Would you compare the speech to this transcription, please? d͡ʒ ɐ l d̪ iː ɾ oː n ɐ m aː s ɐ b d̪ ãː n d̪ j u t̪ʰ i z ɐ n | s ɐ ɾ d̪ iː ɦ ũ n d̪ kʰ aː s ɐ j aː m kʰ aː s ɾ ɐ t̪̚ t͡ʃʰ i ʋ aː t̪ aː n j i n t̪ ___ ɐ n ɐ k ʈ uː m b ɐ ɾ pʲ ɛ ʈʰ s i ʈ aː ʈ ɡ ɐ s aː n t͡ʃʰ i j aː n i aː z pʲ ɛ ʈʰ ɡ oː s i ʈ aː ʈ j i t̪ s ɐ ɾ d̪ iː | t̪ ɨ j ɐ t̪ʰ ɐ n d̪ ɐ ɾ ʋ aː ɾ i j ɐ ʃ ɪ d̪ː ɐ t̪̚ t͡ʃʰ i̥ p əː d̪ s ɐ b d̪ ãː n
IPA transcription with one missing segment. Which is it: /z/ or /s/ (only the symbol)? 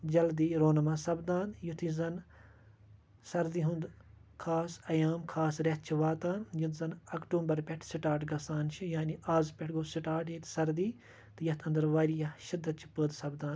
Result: z